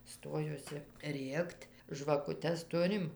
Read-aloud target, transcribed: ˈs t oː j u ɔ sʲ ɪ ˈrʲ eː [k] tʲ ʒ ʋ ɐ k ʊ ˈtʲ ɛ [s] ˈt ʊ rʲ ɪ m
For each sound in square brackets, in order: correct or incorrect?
correct, correct

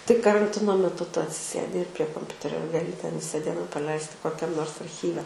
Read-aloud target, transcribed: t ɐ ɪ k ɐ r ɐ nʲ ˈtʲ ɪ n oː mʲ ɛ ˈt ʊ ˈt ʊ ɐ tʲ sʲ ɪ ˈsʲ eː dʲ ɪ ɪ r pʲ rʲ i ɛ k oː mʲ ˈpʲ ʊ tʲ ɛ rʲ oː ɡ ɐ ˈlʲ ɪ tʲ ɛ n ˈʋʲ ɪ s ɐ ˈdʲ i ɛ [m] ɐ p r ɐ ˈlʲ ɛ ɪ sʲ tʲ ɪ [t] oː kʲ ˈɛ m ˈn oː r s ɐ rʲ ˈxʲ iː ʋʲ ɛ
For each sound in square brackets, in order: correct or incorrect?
incorrect: n, incorrect: k

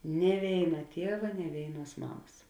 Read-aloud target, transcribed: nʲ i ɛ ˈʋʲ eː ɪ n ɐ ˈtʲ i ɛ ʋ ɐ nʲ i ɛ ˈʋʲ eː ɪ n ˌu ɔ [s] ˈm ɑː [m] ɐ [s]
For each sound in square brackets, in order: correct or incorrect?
correct, correct, correct

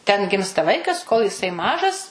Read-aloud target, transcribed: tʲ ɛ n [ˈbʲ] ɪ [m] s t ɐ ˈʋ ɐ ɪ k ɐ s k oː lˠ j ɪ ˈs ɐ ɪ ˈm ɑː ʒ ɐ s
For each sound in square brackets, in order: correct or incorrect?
incorrect: ɡʲ, correct

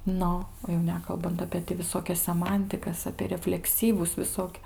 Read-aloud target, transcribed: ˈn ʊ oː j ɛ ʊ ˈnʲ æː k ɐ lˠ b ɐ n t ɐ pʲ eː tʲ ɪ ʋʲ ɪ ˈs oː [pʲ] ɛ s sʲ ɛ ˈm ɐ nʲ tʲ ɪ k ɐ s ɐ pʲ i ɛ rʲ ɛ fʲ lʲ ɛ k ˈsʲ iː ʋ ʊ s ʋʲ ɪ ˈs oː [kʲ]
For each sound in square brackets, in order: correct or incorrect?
incorrect: kʲ, correct

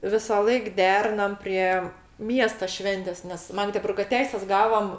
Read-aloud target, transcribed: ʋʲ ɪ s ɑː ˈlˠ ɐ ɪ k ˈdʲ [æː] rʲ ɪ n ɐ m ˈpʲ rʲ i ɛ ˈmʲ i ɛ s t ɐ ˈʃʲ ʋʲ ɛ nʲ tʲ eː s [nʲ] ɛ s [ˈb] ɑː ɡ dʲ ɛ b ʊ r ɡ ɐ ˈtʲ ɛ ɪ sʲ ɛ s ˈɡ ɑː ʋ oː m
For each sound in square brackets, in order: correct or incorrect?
correct, correct, incorrect: m

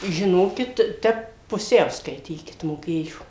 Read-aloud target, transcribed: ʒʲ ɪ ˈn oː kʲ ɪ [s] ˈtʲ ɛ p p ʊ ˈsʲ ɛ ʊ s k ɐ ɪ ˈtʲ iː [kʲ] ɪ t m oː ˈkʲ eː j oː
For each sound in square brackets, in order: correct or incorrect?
incorrect: t, correct

